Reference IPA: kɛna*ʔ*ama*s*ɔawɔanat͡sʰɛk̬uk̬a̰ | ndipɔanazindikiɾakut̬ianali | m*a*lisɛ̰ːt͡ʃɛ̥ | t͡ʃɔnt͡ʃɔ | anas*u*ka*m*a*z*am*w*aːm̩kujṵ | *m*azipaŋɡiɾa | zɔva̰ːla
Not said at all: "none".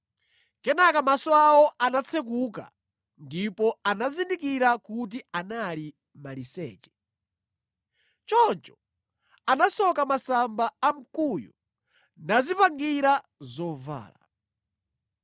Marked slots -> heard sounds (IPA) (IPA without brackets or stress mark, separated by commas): k, s, a, ɔ, m, s, b, n